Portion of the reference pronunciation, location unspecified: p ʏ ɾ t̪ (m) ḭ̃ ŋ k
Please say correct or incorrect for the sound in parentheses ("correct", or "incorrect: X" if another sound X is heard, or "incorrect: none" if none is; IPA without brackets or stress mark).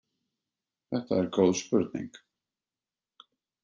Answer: incorrect: n